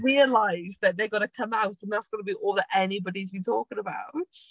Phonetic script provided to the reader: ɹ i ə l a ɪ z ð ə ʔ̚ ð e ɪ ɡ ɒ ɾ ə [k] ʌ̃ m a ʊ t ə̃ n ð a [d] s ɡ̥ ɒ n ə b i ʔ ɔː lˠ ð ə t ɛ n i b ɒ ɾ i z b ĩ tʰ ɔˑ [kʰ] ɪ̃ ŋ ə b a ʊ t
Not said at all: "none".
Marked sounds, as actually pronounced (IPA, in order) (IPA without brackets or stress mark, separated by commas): kʰ, t, k